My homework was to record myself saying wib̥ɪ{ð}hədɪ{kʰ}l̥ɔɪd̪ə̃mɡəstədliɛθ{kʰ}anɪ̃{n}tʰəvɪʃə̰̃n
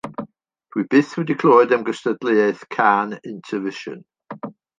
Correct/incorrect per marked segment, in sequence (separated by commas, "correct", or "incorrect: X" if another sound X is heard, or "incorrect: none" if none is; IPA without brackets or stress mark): incorrect: θ, correct, correct, correct